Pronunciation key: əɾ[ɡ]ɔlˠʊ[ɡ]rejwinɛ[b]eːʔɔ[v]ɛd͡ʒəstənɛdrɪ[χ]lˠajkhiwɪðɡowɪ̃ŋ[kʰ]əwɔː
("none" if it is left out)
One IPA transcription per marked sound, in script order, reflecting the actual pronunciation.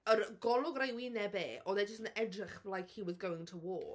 ɡ, ɡ, b, ð, χ, tʰ

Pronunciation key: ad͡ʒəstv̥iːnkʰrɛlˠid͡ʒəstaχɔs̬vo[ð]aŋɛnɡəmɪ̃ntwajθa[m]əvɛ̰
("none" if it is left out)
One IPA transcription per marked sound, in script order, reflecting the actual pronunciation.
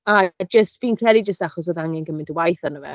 ð, n

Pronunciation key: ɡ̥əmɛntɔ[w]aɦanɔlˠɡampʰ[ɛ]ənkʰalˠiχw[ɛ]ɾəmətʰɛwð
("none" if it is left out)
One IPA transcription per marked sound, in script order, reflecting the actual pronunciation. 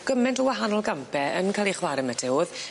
w, ɛ, a

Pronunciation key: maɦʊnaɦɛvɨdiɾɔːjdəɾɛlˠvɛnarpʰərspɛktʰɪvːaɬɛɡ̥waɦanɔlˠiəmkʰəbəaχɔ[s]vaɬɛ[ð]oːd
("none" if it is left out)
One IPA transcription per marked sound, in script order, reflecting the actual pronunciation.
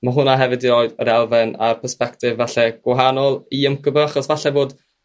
s, v

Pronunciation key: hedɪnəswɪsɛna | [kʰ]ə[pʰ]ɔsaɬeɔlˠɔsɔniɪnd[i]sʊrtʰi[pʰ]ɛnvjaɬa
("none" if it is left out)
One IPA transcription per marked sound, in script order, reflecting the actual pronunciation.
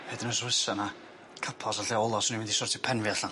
kʰ, pʰ, i, pʰ

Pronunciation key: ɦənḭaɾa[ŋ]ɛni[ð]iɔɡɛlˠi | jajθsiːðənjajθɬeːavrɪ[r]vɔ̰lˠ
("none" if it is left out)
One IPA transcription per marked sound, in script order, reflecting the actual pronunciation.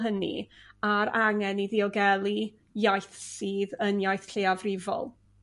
ŋ, ð, none

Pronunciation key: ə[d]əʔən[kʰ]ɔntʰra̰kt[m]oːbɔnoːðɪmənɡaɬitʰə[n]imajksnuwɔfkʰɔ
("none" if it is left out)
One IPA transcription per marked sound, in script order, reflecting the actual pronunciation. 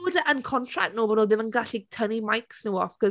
d, kʰ, n, n

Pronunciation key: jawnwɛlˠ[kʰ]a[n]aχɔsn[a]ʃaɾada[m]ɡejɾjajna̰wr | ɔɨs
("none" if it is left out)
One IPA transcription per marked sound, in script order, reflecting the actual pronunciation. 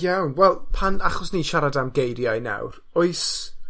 pʰ, n, i, m

